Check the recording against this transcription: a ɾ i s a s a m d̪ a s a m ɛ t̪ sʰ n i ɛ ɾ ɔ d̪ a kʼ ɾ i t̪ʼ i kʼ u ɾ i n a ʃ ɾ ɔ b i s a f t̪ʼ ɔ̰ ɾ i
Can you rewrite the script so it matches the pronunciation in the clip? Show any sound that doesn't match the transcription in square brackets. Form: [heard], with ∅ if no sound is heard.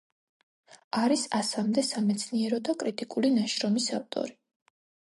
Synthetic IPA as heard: a ɾ i s a s a m d̪ [ɛ] s a m ɛ t̪ sʰ n i ɛ ɾ ɔ d̪ a kʼ ɾ i t̪ʼ i kʼ u [l] i n a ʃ ɾ ɔ [m] i s a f t̪ʼ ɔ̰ ɾ i

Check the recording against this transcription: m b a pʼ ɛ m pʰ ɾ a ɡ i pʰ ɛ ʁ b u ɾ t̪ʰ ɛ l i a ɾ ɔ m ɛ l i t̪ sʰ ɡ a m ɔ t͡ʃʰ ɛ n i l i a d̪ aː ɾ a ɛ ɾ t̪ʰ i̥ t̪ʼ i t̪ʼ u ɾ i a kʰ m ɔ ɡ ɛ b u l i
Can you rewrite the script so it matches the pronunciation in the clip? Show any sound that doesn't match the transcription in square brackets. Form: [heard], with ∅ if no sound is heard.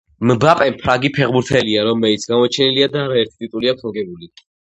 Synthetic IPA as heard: m b a pʼ ɛ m pʰ ɾ a ɡ i pʰ ɛ ʁ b u ɾ t̪ʰ ɛ l i a ɾ ɔ m ɛ l i t̪ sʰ ɡ a m ɔ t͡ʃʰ ɛ n i l i a d̪ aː ɾ a ɛ ɾ t̪ʰ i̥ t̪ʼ i t̪ʼ u [l] i a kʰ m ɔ ɡ ɛ b u l i

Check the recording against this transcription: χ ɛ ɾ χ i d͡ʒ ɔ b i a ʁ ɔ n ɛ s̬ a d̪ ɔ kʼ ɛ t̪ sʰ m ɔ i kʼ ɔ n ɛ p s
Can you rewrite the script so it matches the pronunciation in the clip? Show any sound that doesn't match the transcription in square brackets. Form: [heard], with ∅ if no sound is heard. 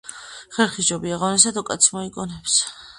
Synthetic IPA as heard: χ ɛ ɾ χ i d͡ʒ ɔ b i a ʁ ɔ n ɛ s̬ a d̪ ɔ kʼ [a] t̪ sʰ m ɔ i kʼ ɔ n ɛ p s

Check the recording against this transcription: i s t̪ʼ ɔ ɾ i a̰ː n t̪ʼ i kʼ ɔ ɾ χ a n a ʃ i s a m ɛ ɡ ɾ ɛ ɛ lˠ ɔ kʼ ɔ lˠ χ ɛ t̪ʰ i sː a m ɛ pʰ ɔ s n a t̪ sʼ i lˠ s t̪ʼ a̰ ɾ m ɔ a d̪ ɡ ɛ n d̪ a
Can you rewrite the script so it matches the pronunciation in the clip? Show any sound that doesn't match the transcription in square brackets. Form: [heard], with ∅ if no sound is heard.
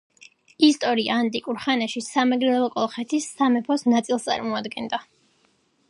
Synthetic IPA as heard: i s t̪ʼ ɔ ɾ i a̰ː n t̪ʼ i kʼ [u] ɾ χ a n a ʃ i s a m ɛ ɡ ɾ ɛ ɛ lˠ ɔ kʼ ɔ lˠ χ ɛ t̪ʰ i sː a m ɛ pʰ ɔ s n a t̪ sʼ i lˠ s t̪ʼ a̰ ɾ m ɔ a d̪ ɡ ɛ n d̪ a

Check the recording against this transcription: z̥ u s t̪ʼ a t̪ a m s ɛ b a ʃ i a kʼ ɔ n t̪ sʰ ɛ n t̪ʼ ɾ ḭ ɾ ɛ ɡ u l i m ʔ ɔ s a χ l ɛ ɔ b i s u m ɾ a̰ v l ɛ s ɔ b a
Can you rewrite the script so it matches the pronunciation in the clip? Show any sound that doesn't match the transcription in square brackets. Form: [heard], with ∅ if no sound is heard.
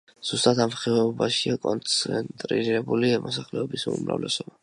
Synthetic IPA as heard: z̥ u s t̪ʼ a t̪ a m [χ] ɛ b a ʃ i a kʼ ɔ n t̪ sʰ ɛ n t̪ʼ ɾ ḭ ɾ ɛ [b] u l i m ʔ ɔ s a χ l ɛ ɔ b i s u m ɾ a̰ v l ɛ s ɔ b a

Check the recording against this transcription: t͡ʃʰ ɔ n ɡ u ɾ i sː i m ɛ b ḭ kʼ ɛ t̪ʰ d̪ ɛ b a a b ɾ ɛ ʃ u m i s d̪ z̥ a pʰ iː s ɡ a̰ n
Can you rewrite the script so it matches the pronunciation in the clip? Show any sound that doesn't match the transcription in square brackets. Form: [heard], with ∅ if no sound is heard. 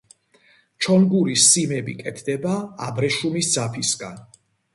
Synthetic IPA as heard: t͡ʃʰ ɔ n ɡ u ɾ i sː i m ɛ b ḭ kʼ ɛ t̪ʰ d̪ ɛ b a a b ɾ ɛ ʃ u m i s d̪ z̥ a pʰ [i] s ɡ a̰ n

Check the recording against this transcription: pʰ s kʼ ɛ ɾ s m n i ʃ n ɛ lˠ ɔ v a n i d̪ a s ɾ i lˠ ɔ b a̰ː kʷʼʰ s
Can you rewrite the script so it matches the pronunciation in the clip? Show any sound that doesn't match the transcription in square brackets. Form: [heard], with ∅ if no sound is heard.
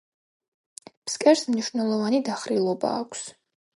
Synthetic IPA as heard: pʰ s kʼ ɛ ɾ s m n i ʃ n ɛ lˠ ɔ v a n i d̪ a [χ] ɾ i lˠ ɔ b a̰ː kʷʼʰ s

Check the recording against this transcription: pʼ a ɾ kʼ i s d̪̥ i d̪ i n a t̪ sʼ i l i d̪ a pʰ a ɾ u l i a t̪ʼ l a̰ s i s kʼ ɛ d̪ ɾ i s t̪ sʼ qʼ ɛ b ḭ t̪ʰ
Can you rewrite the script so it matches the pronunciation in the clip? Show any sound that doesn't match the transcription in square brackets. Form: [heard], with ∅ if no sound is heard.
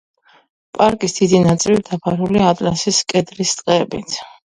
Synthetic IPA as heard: pʼ a ɾ kʼ i s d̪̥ i d̪ i n a t̪ sʼ i l i d̪ a pʰ a ɾ u l i a t̪ʼ l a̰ s i s kʼ ɛ d̪ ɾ i s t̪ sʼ qʼ ɛ b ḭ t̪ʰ

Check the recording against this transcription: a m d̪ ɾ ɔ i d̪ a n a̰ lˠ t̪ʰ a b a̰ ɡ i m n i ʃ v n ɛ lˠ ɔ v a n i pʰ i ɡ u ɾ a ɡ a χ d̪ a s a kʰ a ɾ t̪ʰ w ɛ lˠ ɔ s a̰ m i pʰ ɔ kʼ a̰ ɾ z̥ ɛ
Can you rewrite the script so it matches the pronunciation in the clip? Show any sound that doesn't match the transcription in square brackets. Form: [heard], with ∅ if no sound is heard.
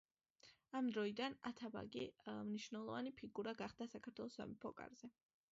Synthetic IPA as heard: a m d̪ ɾ ɔ i d̪ a n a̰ [∅] t̪ʰ a b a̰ ɡ i m n i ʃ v n ɛ lˠ ɔ v a n i pʰ i ɡ u ɾ a ɡ a χ d̪ a s a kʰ a ɾ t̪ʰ w ɛ lˠ ɔ s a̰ m i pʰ ɔ kʼ a̰ ɾ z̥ ɛ

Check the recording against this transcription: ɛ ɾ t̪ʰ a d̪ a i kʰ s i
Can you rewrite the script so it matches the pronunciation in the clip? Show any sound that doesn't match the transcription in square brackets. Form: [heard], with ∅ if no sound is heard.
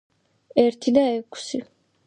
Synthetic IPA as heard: ɛ ɾ t̪ʰ [i] d̪ a [ɛ] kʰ s i

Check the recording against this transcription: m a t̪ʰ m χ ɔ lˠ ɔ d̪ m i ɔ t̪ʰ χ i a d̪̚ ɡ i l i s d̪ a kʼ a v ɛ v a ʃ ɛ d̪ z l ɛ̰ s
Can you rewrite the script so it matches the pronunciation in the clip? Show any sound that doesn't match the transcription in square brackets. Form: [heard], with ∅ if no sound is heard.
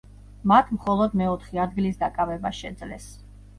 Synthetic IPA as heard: m a t̪ʰ m χ ɔ lˠ ɔ d̪ m [ɛ] ɔ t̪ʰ χ i a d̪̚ ɡ i l i s d̪ a kʼ a v ɛ [b] a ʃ ɛ d̪ z l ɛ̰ s

